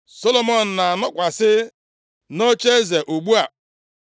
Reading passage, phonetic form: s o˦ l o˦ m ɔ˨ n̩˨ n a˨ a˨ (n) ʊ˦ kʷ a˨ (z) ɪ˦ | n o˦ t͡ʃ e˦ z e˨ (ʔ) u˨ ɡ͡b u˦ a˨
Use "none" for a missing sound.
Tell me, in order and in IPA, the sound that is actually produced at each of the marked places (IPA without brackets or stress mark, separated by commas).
n, s, ʔ